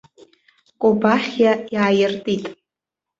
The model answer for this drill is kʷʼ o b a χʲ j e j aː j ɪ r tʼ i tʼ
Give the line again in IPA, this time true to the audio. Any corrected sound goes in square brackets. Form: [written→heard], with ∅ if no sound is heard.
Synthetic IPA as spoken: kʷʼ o b a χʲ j [e→a] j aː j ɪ r tʼ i tʼ